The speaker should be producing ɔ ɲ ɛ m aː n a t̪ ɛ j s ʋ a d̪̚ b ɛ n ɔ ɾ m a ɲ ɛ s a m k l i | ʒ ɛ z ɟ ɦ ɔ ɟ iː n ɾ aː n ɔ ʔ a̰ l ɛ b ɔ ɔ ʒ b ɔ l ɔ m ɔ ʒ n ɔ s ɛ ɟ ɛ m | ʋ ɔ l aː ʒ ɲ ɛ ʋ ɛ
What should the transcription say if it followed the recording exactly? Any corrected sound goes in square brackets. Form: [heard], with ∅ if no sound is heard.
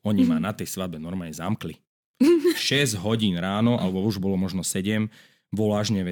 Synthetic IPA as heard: ɔ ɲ [i] m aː n a t̪ ɛ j s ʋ a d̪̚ b ɛ n ɔ ɾ m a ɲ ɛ [z] a m k l i | [ʃ] ɛ z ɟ ɦ ɔ ɟ iː n ɾ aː n ɔ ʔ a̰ l ɛ b ɔ [u] ʒ b ɔ l ɔ m ɔ ʒ n ɔ s ɛ ɟ ɛ m | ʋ ɔ l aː ʒ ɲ ɛ ʋ ɛ